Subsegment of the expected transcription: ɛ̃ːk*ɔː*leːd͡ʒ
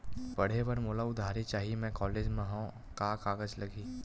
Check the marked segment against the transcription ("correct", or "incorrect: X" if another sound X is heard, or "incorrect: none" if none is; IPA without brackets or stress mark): correct